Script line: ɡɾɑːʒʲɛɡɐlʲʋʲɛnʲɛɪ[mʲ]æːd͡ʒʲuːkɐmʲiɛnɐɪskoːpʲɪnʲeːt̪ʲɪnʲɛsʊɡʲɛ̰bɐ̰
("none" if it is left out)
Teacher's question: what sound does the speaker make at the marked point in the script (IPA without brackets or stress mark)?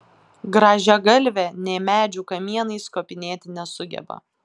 mʲ